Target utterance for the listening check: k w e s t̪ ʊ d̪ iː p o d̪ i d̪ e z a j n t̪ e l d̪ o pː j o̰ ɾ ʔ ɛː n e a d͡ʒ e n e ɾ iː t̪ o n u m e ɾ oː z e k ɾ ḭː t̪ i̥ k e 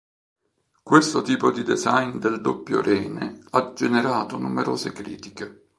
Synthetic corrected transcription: k w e s t̪ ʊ t̪ iː p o d̪ i d̪ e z a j n d̪ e l d̪ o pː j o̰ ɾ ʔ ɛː n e a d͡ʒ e n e ɾ aː t̪ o n u m e ɾ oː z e k ɾ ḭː t̪ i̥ k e